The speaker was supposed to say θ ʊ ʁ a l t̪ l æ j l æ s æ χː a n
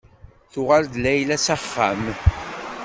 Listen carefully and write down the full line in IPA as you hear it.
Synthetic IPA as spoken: θ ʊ ʁ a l d̪ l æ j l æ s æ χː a m